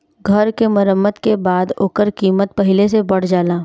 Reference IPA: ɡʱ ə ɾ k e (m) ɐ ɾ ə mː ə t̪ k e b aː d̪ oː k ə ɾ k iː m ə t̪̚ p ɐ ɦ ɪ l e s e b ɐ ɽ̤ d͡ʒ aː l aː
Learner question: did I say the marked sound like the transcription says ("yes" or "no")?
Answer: yes